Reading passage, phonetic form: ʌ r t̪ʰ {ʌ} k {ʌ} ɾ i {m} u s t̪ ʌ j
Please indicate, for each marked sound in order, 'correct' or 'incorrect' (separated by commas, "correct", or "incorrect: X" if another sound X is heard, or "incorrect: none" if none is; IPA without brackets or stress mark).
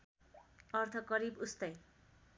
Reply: correct, correct, incorrect: b